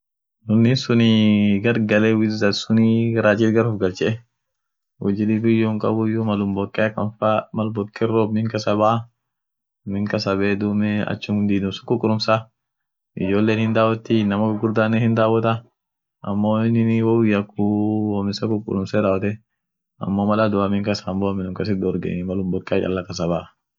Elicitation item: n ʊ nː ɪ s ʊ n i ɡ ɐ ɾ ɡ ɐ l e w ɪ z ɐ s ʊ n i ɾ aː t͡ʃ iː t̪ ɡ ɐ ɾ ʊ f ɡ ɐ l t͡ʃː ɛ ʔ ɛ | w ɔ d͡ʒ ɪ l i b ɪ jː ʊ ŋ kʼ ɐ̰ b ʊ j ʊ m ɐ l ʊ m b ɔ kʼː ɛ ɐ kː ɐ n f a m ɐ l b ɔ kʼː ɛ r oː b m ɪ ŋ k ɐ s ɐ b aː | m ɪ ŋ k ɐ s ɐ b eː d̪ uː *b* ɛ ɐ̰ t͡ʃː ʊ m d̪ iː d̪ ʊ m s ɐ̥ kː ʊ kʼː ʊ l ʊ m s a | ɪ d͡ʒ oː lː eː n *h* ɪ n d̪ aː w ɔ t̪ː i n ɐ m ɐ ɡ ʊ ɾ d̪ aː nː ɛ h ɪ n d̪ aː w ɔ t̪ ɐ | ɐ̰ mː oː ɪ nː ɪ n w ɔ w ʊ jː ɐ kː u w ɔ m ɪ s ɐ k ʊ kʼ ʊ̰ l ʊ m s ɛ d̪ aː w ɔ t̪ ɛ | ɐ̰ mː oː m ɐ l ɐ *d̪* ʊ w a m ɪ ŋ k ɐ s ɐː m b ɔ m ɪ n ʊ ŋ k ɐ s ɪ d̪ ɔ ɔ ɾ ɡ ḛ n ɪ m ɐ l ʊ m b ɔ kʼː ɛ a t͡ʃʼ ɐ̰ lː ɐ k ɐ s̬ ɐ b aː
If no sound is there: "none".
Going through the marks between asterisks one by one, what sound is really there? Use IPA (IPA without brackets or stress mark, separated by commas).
m, h, d̪